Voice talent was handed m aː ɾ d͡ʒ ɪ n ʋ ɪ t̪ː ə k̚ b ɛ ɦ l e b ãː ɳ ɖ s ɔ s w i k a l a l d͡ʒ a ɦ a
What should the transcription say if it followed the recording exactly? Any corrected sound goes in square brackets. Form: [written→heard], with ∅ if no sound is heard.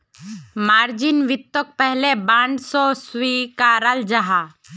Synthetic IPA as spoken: m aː ɾ d͡ʒ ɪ n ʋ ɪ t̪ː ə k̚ [b→p] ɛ ɦ l e b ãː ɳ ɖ s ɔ s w i k a [l→ɾ] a l d͡ʒ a ɦ a